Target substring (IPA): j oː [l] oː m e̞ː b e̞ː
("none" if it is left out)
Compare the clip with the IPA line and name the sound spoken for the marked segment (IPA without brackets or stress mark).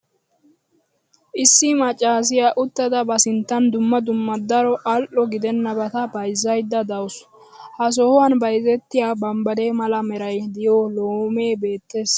l